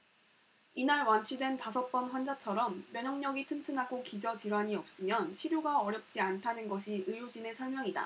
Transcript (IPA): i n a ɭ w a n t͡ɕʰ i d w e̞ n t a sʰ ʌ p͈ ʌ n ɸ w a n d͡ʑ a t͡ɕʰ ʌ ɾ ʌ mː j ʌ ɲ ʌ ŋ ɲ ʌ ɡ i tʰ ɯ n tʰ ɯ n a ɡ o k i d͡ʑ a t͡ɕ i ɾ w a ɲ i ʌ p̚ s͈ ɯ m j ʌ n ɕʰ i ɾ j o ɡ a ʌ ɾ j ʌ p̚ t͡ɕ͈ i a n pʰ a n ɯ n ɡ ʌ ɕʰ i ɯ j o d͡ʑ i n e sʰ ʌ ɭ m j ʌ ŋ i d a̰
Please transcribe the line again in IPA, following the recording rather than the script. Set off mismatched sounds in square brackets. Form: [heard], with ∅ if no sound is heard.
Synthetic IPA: i n a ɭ w a n t͡ɕʰ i d w e̞ n t a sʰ ʌ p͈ ʌ n ɸ w a n d͡ʑ a t͡ɕʰ ʌ ɾ ʌ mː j ʌ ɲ ʌ ŋ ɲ ʌ ɡ i tʰ ɯ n tʰ ɯ n a ɡ o k i d͡ʑ [ʌ] t͡ɕ i ɾ w a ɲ i ʌ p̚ s͈ ɯ m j ʌ n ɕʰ i ɾ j o ɡ a ʌ ɾ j ʌ p̚ t͡ɕ͈ i a n [tʰ] a n ɯ n ɡ ʌ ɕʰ i ɯ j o d͡ʑ i n e sʰ ʌ ɭ m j ʌ ŋ i d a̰

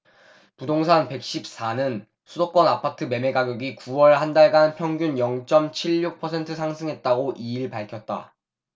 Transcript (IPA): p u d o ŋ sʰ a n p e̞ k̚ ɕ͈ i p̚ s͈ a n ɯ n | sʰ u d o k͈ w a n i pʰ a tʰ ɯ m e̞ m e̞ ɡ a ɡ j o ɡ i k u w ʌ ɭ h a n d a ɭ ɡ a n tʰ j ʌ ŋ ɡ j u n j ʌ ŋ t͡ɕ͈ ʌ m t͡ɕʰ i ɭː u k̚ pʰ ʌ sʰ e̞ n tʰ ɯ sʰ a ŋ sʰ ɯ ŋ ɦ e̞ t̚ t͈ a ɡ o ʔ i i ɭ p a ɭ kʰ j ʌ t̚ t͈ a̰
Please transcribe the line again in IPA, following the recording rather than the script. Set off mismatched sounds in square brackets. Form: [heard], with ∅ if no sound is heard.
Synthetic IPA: p u d o ŋ sʰ a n p e̞ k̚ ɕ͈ i p̚ s͈ a n ɯ n | sʰ u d o k͈ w [ʌ] n [a] pʰ a tʰ ɯ m e̞ m e̞ ɡ a ɡ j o ɡ i k u w ʌ ɭ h a n d a ɭ ɡ a n [pʰ] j ʌ ŋ ɡ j u n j ʌ ŋ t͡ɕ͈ ʌ m t͡ɕʰ i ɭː u k̚ pʰ ʌ sʰ e̞ n tʰ ɯ sʰ a ŋ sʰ ɯ ŋ ɦ e̞ t̚ t͈ a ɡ o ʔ i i ɭ p a ɭ kʰ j ʌ t̚ t͈ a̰

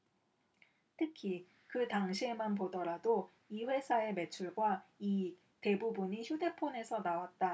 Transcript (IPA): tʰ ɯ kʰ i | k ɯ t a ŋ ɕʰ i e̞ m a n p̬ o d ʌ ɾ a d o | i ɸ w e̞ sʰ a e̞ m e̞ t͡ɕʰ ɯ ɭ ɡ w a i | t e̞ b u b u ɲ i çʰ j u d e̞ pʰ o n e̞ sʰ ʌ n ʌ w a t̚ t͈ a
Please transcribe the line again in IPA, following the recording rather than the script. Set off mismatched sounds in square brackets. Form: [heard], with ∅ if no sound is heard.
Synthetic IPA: tʰ ɯ kʰ i | k ɯ t a ŋ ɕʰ i e̞ m a n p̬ o d ʌ ɾ a d o | i ɸ w e̞ sʰ a e̞ m e̞ t͡ɕʰ [u] ɭ ɡ w a i | t e̞ b u b u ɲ i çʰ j u d e̞ pʰ o n e̞ sʰ ʌ n [a] w a t̚ t͈ a

